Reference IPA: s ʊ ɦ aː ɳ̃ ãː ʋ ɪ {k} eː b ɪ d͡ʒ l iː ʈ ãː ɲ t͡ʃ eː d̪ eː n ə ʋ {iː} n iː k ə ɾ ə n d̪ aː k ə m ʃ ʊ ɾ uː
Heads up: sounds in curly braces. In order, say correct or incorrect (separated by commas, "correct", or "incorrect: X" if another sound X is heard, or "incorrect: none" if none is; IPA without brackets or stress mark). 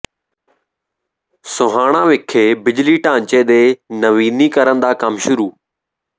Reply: incorrect: kʰ, correct